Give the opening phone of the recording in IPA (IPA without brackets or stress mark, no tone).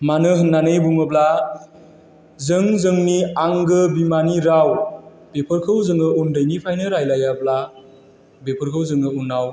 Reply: m